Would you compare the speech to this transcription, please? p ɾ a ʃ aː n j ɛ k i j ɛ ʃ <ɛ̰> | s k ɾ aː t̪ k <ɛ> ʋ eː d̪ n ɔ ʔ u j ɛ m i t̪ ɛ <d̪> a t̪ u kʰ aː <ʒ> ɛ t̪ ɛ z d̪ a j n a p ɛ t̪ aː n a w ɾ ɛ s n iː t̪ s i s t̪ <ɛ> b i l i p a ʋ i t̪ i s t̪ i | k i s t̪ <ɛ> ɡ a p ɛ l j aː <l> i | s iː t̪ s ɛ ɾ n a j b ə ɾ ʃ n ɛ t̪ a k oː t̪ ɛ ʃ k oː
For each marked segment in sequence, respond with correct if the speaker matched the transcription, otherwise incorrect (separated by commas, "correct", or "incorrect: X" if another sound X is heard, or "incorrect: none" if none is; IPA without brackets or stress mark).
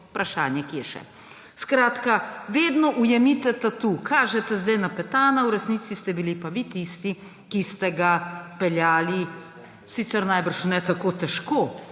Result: correct, incorrect: a, incorrect: t̪, correct, correct, correct, correct